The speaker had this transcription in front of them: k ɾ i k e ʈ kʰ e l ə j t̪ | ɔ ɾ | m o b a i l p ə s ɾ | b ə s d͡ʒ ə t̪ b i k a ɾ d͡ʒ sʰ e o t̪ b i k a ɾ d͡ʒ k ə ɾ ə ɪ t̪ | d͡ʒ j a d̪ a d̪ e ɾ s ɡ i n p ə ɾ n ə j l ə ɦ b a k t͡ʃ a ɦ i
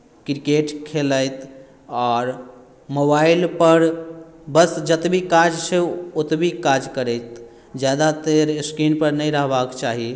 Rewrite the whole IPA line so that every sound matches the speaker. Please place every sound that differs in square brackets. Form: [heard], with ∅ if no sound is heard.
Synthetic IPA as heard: k ɾ i k e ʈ kʰ e l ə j t̪ | ɔ ɾ | m o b a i l p ə [∅] ɾ | b ə s d͡ʒ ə t̪ b i k a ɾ d͡ʒ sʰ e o t̪ b i k a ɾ d͡ʒ k ə ɾ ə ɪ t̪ | d͡ʒ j a d̪ a [t̪] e ɾ s [k] i n p ə ɾ n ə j [ɾ] ə ɦ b a k t͡ʃ a ɦ i